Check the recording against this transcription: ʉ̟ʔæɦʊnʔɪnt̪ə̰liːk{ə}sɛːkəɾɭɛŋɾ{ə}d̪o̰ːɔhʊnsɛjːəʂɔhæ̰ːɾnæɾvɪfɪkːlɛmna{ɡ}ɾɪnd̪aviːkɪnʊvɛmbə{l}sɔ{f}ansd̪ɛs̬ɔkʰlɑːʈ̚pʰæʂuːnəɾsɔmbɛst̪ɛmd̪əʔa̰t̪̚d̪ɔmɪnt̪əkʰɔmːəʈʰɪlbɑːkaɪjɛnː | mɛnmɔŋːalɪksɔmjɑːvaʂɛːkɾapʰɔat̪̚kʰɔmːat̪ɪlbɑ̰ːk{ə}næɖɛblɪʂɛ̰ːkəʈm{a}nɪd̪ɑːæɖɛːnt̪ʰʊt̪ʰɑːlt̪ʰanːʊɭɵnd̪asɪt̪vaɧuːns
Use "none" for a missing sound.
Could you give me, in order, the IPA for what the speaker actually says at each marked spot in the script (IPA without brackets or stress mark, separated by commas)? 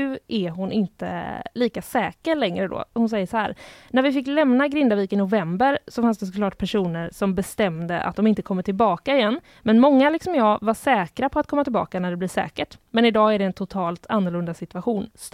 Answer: a, ə, ɡ, ɾ, f, a, ɛ